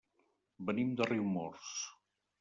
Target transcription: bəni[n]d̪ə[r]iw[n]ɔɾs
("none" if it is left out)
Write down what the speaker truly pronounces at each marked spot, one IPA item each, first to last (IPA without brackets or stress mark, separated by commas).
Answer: m, r, m